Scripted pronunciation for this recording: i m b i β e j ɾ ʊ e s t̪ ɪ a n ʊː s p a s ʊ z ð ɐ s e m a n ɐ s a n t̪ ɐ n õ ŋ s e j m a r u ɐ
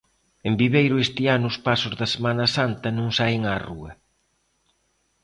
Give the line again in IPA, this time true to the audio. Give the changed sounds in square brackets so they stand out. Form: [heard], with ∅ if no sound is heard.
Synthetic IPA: [e] m b i β e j ɾ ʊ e s t̪ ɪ a n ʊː s p a s ʊ z ð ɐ s e m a n ɐ s a n t̪ ɐ n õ ŋ s [a] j [ŋ] a r u ɐ